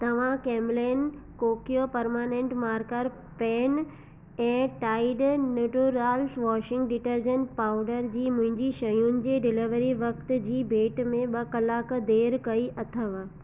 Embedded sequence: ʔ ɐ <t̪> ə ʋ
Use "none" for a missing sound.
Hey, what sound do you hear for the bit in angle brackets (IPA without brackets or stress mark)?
t̪ʰ